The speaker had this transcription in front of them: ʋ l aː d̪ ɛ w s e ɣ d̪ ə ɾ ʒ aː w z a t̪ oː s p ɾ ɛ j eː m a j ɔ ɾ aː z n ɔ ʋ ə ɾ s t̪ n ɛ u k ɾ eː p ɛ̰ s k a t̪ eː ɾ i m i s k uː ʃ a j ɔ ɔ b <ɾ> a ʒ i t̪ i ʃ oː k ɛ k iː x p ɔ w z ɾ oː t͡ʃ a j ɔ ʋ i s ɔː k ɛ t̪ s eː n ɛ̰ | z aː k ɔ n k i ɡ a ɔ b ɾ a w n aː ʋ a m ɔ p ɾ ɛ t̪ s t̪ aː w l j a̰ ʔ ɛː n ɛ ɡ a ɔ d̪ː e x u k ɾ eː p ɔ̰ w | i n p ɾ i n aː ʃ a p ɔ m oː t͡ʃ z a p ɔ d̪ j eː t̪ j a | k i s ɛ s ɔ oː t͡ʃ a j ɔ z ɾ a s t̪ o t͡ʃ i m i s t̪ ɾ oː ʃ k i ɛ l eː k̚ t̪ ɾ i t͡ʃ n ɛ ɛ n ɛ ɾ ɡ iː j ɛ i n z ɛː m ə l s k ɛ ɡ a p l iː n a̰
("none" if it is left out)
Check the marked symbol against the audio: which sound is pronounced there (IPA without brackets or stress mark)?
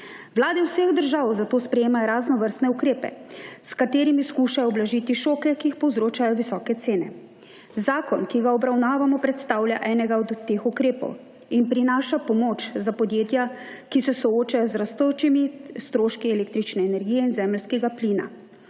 l